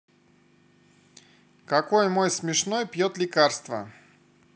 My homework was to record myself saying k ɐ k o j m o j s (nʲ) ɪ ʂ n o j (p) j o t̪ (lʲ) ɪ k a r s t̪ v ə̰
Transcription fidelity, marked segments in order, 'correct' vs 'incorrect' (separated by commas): incorrect, correct, correct